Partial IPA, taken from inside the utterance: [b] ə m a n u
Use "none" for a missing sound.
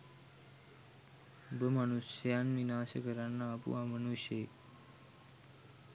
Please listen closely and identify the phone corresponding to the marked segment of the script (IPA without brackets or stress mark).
b